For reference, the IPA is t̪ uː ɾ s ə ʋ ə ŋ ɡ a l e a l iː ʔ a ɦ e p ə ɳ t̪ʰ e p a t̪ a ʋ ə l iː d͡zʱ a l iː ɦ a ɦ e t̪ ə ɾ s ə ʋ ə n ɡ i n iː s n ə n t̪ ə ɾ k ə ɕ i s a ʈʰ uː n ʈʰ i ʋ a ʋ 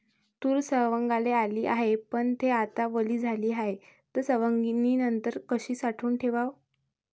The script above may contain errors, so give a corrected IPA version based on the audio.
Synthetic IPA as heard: t̪ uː ɾ s ə ʋ ə ŋ ɡ a l e a l iː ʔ a ɦ e p ə ɳ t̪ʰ e a t̪ a ʋ ə l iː d͡zʱ a l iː ɦ a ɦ e t̪ ə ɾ s ə ʋ ə ŋ ɡ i n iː n ə n t̪ ə ɾ k ə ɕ iː s a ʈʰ uː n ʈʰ e ʋ a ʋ